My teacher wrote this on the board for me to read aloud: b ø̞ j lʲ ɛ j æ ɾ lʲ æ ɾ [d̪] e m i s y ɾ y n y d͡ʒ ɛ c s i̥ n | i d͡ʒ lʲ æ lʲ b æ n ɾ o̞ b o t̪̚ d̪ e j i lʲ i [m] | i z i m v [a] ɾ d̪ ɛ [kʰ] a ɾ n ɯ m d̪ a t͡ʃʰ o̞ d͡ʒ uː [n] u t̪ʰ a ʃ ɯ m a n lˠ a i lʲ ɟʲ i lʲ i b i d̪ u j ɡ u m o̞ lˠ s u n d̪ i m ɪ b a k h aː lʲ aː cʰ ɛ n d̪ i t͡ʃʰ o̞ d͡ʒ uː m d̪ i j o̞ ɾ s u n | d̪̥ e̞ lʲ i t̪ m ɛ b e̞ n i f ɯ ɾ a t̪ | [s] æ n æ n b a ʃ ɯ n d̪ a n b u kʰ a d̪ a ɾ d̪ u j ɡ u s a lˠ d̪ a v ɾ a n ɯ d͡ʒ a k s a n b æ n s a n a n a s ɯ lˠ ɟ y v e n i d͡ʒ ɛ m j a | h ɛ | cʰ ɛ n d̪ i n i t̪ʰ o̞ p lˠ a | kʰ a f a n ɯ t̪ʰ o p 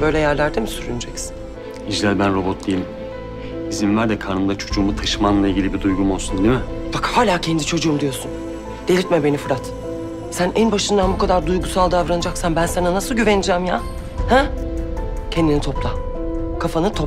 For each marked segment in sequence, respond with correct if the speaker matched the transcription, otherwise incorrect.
correct, correct, incorrect: æ, correct, incorrect: m, correct

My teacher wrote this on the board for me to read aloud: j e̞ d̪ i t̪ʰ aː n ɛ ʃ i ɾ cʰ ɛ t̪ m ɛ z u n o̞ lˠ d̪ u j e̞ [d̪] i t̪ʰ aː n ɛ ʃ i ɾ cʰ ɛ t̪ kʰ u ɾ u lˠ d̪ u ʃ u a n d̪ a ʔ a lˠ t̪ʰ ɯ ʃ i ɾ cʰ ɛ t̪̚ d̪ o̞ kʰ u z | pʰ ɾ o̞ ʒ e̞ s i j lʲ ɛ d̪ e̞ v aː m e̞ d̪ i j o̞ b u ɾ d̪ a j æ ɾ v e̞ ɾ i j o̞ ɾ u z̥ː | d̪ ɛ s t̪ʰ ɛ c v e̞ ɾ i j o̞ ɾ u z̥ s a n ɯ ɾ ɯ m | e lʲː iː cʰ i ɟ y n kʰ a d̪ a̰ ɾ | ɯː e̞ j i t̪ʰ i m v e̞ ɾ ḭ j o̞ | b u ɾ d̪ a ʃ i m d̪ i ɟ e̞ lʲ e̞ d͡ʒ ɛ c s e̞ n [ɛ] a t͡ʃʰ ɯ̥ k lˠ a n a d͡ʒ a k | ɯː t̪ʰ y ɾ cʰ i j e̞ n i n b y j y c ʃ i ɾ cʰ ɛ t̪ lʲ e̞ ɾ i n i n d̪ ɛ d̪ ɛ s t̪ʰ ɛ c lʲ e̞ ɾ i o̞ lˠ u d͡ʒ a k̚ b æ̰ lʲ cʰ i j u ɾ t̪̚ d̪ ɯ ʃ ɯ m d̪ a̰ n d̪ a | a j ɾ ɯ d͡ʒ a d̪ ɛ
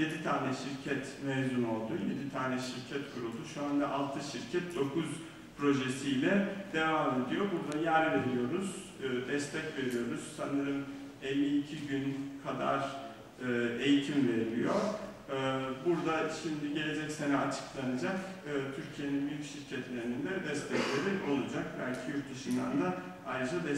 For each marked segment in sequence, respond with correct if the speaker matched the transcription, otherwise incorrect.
correct, correct

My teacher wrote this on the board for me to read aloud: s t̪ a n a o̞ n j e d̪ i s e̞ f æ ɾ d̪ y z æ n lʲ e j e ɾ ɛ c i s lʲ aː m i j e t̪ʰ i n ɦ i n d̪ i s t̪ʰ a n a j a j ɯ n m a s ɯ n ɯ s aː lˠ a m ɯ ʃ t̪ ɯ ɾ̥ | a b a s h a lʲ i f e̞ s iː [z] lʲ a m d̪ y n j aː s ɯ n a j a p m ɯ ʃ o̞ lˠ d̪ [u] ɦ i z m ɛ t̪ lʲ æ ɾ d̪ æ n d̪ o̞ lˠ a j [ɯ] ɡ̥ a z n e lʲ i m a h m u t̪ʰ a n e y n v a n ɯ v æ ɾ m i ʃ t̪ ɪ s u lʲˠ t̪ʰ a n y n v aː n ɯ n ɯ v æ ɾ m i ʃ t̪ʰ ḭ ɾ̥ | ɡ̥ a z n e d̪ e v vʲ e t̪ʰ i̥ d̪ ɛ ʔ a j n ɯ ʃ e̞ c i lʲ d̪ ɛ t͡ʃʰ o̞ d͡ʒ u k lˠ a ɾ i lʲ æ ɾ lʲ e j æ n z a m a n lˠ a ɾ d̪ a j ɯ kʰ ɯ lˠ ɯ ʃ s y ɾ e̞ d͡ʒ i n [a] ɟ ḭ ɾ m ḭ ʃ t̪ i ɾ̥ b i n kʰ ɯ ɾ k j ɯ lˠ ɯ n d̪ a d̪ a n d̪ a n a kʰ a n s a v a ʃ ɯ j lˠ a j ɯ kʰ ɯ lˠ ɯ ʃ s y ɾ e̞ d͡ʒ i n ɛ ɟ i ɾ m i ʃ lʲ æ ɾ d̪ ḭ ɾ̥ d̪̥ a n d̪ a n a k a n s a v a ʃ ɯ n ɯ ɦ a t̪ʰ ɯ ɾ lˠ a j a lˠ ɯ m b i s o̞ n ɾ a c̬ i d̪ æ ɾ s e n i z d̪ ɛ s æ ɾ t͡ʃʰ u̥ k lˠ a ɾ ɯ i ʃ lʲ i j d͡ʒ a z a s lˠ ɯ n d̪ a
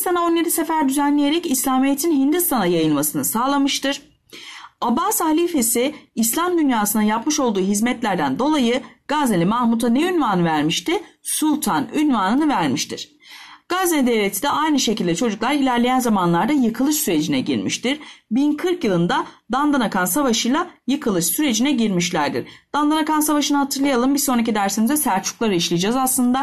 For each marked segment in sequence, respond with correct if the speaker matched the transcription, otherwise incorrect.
incorrect: s, incorrect: uː, correct, incorrect: ɛ

